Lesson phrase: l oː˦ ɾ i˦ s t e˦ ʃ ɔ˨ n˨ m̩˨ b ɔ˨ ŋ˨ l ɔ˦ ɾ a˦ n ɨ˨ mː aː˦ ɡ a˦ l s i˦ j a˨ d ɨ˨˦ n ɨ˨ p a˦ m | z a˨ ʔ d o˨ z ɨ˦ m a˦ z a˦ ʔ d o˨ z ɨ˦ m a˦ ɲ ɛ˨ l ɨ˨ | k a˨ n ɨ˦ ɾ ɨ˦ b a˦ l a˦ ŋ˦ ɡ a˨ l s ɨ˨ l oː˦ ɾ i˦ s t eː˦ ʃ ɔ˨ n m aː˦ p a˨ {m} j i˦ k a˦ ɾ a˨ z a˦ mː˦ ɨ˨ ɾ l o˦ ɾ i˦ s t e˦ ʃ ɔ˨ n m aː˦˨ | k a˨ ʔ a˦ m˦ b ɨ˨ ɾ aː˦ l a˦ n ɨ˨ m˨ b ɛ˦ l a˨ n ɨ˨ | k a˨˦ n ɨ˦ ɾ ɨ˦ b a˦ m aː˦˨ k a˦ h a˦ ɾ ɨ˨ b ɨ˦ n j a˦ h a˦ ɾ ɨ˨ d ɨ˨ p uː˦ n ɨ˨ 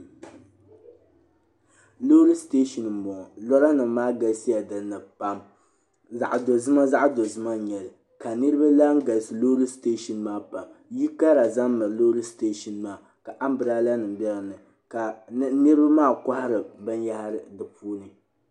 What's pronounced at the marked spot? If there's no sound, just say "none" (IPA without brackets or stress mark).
m